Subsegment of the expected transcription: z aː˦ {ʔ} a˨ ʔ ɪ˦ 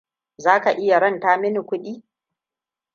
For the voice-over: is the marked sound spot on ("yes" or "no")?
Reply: no